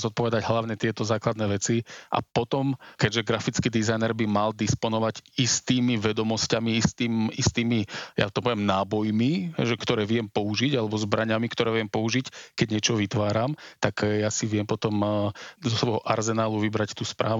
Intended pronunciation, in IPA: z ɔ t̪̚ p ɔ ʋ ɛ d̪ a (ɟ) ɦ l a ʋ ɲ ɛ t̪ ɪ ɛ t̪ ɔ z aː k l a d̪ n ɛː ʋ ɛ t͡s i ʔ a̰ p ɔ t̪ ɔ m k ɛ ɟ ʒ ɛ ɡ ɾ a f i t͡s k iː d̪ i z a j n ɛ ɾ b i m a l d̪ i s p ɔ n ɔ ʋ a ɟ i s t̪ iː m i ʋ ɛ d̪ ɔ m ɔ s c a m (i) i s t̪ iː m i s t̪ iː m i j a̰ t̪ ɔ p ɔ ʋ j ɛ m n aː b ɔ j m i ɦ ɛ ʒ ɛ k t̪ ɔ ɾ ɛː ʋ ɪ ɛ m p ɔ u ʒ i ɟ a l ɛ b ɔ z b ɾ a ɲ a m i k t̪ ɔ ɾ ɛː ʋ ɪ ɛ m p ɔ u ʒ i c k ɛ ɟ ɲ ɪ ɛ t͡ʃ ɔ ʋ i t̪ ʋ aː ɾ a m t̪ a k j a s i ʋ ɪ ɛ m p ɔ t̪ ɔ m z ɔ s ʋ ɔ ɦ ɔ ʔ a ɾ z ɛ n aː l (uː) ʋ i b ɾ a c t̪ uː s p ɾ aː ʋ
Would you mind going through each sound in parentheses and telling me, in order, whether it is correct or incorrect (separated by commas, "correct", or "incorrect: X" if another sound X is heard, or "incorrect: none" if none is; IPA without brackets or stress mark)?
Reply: correct, correct, incorrect: u